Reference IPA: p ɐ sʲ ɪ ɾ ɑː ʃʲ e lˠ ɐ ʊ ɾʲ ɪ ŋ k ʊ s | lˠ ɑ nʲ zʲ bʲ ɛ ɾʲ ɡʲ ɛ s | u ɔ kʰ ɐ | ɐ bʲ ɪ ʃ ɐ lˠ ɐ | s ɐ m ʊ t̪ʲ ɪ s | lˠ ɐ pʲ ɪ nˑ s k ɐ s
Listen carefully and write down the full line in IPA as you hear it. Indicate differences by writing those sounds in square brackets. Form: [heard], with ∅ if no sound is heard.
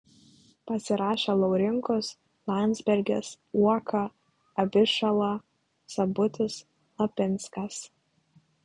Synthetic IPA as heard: p ɐ sʲ ɪ ɾ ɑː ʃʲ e lˠ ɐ ʊ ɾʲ ɪ ŋ k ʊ s | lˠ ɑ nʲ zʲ bʲ ɛ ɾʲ ɡʲ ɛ s | u ɔ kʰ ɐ | ɐ bʲ ɪ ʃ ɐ lˠ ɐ | s ɐ [b] ʊ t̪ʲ ɪ s | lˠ ɐ pʲ ɪ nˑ s k ɐ s